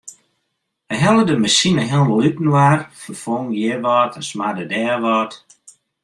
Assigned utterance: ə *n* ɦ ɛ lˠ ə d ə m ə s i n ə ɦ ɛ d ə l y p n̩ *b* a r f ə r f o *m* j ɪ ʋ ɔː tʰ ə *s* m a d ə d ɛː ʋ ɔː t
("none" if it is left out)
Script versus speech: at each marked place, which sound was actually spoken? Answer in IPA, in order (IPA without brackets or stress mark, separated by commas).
none, w, ŋ, s